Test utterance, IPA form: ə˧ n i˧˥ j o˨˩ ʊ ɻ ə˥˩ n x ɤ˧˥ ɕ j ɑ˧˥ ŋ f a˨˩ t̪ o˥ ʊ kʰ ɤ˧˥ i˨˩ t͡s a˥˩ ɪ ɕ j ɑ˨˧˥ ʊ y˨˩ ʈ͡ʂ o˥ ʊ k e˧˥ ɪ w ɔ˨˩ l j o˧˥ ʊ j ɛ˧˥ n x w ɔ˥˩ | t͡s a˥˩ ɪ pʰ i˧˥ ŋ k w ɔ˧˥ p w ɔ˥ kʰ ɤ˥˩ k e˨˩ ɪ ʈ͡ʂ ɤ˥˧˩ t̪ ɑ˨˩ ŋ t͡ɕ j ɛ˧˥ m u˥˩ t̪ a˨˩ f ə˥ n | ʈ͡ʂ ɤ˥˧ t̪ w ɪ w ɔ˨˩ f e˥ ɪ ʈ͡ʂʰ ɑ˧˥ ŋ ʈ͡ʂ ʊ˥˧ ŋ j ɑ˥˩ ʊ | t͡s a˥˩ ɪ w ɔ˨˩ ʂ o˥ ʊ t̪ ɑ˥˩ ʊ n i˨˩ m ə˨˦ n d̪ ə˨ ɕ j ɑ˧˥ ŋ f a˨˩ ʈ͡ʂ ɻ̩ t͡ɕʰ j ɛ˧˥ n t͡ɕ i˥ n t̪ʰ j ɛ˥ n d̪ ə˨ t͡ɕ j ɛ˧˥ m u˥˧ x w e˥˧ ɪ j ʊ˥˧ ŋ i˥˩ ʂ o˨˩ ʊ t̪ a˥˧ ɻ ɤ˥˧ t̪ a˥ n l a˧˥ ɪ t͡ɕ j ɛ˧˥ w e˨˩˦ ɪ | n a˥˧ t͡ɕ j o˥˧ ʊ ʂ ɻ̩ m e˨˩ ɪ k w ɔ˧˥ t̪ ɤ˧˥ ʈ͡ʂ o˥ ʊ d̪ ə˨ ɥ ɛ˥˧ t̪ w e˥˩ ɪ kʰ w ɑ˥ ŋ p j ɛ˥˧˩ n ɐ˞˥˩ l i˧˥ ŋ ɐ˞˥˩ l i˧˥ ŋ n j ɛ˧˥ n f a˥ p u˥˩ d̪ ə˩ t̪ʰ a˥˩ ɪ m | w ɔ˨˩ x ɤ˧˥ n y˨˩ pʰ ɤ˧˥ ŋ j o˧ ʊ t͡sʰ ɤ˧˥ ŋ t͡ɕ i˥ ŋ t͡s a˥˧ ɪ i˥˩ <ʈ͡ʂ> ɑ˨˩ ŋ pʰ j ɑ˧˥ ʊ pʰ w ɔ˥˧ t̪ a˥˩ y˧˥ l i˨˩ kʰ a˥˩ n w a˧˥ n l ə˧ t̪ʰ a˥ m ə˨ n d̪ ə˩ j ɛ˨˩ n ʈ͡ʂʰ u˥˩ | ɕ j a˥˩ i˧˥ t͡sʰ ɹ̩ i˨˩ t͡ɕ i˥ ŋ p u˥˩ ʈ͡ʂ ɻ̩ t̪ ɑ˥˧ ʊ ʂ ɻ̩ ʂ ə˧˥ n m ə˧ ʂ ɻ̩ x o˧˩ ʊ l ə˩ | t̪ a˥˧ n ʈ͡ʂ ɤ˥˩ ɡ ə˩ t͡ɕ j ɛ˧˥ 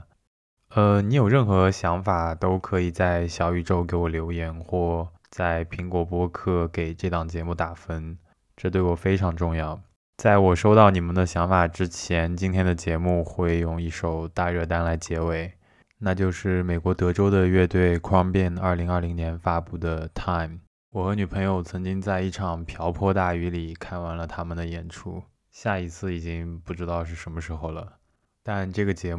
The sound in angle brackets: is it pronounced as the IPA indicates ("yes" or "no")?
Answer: no